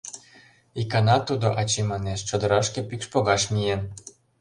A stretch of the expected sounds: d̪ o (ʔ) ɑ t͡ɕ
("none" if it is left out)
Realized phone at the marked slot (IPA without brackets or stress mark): ʔ